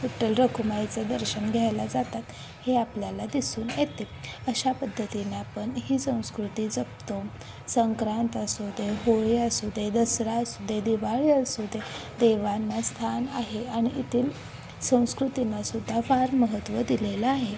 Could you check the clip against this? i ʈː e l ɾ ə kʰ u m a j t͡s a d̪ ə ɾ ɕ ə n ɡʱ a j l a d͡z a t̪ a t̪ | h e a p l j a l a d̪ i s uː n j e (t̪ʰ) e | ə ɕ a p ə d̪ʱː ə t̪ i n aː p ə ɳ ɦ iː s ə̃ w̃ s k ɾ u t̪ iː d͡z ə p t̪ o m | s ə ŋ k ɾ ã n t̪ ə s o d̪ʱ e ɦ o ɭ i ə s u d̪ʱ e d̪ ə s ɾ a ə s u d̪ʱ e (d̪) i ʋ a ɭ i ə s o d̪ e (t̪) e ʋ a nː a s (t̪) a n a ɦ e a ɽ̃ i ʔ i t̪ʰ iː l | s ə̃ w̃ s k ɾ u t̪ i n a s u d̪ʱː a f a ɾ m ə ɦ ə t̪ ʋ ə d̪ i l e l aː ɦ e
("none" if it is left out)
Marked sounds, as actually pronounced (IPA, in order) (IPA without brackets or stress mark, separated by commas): t̪, d̪, d̪, t̪ʰ